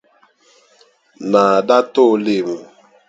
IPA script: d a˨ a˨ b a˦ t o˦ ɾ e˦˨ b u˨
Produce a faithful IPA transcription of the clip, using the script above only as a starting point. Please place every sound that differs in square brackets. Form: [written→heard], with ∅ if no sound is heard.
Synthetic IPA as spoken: [d→n] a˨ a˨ [b→d] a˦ t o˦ [ɾ→l] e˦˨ [b→m] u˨